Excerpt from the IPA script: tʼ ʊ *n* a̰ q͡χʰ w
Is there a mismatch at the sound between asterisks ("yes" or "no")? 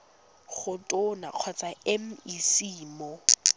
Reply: no